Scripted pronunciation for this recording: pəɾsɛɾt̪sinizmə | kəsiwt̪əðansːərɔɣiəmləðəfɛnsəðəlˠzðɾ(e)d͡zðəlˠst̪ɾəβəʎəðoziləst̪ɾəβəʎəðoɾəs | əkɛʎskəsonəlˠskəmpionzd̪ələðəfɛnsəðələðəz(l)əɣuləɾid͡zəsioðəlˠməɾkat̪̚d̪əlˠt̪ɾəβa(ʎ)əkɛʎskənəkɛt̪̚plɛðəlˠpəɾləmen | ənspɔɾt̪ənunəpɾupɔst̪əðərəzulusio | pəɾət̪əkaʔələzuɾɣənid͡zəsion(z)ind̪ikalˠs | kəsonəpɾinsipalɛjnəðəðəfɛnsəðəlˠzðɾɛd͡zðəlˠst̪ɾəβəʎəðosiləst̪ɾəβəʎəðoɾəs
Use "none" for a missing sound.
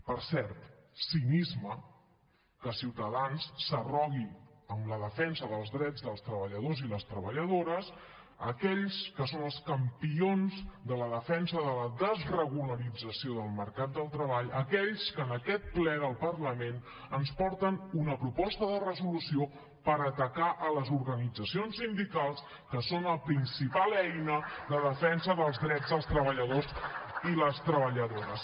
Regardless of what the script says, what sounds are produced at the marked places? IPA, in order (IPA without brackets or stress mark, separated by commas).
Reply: ɛ, r, ʎ, s